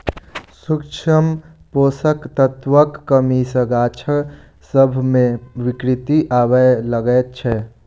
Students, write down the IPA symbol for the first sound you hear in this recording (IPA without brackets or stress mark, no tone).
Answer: s